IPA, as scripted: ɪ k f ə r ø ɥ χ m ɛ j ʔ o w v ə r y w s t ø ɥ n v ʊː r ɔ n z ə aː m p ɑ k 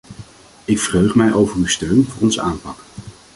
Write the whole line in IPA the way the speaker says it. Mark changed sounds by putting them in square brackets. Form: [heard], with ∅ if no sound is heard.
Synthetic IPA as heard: ɪ k f ə r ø ɥ χ m ɛ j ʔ o w v ə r y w s t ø ɥ n v ʊː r ɔ n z ə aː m p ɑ k